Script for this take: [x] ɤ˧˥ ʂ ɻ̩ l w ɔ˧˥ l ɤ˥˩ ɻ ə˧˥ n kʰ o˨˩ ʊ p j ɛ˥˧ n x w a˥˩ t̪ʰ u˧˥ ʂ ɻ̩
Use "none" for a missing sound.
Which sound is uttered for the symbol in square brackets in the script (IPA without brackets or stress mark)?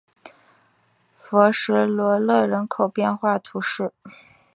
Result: f